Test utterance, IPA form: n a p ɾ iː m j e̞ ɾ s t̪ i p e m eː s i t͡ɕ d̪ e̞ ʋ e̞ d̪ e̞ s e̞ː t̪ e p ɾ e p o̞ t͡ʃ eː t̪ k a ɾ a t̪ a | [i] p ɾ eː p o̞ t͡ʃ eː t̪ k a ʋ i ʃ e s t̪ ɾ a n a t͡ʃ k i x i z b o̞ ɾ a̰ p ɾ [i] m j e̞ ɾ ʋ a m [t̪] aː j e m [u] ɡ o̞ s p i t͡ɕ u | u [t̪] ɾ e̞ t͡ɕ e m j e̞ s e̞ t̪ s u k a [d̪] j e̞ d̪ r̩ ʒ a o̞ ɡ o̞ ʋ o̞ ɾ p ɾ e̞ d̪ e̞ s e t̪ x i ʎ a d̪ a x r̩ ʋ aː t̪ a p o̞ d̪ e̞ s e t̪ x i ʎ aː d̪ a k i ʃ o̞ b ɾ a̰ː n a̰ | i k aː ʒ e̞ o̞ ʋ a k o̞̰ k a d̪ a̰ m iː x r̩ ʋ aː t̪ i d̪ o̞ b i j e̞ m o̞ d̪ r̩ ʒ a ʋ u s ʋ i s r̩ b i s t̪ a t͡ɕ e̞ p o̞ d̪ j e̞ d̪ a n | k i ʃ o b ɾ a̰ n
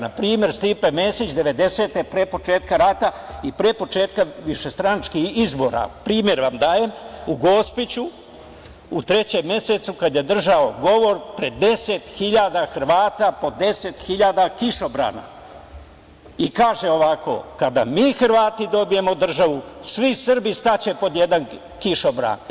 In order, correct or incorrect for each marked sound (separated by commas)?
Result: correct, incorrect, incorrect, correct, correct, correct